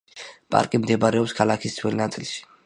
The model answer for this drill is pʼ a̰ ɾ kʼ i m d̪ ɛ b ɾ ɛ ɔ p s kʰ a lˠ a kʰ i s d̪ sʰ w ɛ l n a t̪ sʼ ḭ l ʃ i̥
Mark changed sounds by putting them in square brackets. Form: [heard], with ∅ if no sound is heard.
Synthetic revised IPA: pʼ a̰ ɾ kʼ i m d̪ ɛ b ɾ ɛ ɔ p s kʰ a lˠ a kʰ i s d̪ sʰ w ɛ l n a t̪ sʼ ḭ l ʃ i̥